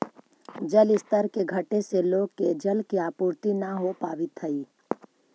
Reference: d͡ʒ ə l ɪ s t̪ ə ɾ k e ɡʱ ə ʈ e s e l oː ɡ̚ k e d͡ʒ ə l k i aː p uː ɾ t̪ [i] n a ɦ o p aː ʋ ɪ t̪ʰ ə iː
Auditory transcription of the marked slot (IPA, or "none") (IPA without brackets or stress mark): i